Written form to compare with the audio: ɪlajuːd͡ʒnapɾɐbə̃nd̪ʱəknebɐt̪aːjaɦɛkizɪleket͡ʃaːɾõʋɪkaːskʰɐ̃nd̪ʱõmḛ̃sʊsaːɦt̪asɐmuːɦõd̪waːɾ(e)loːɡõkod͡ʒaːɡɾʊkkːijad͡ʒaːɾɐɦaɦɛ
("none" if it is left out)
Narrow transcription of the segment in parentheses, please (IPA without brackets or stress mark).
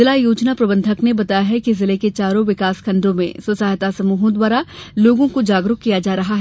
a